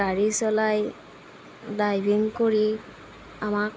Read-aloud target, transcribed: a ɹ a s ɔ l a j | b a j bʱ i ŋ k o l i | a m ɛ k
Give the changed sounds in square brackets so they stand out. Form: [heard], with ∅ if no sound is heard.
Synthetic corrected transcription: a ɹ [i] s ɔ l a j | [d] a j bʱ i ŋ k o [ɹ] i | a m [a] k

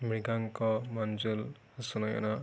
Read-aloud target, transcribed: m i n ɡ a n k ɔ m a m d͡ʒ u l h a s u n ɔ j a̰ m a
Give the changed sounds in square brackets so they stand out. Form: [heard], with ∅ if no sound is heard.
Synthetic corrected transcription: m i [∅] ɡ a [ŋ] k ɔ m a [n] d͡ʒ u l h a s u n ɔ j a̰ [n] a

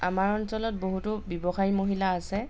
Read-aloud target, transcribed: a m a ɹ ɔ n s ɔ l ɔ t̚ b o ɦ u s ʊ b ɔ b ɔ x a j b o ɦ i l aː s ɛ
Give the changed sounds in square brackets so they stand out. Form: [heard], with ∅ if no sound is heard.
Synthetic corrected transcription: a m a ɹ ɔ n s ɔ l ɔ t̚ b o ɦ u [t] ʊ b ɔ b ɔ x a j [m] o ɦ i l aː s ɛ

